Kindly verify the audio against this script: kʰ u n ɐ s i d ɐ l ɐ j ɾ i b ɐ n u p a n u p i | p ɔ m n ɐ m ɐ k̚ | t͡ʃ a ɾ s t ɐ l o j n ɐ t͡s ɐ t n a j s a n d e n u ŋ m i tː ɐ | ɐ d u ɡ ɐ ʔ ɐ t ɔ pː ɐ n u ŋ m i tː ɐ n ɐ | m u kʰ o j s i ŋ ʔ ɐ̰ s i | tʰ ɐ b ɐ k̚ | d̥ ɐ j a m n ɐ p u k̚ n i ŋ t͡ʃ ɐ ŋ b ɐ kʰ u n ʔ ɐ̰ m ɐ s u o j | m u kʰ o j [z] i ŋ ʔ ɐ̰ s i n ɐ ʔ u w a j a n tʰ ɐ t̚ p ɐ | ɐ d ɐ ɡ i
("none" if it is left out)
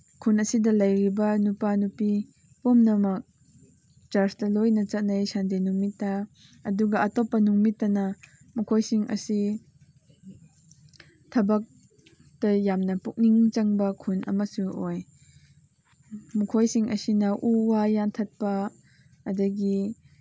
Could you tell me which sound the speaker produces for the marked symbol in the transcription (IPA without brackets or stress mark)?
s